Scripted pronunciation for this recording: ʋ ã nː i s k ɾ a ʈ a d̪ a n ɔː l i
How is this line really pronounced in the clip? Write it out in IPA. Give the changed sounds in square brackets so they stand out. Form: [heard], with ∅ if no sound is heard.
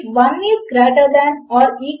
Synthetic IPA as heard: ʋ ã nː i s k ɾ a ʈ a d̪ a n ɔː [ɾ] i